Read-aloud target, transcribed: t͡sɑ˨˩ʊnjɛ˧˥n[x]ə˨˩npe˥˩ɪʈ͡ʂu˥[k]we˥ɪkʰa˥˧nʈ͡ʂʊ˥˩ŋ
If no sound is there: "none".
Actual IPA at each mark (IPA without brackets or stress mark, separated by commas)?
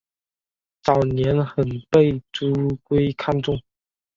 x, k